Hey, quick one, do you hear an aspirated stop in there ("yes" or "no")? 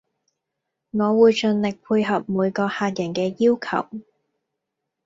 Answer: yes